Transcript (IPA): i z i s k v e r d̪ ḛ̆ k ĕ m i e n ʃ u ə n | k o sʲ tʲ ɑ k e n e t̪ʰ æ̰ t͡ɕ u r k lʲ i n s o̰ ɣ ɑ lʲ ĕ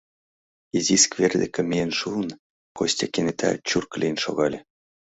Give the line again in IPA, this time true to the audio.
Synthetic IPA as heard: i z i s k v e r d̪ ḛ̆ k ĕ m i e n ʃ u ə n | k o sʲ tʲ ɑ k e n e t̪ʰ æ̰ t͡ɕ u r k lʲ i n ʃ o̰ ɣ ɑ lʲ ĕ